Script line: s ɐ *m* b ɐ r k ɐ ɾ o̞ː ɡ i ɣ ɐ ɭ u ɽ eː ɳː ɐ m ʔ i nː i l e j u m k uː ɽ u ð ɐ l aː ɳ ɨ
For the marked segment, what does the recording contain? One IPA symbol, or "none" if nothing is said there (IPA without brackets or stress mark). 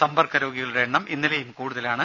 m